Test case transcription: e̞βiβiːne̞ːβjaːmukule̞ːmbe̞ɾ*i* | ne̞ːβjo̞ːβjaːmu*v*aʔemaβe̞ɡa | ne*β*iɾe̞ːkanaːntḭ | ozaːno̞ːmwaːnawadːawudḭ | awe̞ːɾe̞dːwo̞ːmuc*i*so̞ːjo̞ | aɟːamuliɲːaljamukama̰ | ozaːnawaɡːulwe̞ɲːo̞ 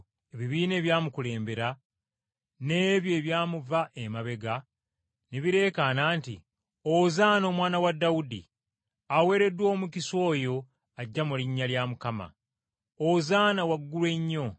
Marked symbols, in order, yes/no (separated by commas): no, yes, yes, yes